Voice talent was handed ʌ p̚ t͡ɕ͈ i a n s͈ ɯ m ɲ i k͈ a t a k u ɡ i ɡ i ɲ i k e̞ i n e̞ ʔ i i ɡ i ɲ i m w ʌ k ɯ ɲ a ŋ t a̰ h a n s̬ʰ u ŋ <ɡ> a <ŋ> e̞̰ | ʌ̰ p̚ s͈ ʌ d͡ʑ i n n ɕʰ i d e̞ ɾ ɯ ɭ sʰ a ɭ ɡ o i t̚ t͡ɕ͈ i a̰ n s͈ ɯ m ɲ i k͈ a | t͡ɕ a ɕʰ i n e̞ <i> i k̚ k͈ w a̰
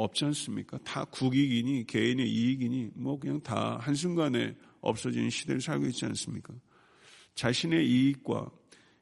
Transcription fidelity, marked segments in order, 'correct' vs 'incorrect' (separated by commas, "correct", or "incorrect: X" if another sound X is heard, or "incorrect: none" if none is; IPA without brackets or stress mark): correct, incorrect: n, correct